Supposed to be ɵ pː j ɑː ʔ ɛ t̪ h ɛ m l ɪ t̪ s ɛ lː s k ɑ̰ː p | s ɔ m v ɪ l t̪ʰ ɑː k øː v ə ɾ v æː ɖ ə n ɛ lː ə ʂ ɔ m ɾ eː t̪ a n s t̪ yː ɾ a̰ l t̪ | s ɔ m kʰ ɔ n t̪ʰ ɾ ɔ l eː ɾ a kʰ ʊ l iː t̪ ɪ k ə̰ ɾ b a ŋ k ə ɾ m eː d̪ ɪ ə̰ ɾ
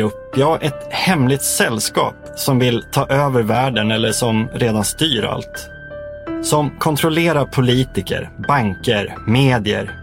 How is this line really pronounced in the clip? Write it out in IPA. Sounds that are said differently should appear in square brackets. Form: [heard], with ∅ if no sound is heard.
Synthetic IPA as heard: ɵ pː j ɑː ʔ ɛ t̪ h ɛ m l ɪ t̪ s ɛ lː s k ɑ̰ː p | s ɔ m v ɪ l t̪ʰ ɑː [ʔ] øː v ə ɾ v æː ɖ ə n ɛ lː ə ʂ ɔ m ɾ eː [d̪] a n s t̪ yː ɾ a̰ l t̪ | s ɔ m kʰ ɔ n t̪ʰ ɾ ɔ l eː ɾ a [pʰ] ʊ l iː t̪ ɪ k ə̰ ɾ b a ŋ k ə ɾ m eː d̪ ɪ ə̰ ɾ